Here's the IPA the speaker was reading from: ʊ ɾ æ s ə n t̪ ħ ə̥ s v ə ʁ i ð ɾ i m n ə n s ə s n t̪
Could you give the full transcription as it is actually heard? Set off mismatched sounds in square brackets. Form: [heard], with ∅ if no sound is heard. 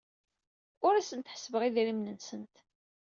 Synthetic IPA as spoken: ʊ ɾ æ s ə n t̪ ħ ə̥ s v ə ʁ i ð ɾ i m n ə n s ə [∅] n t̪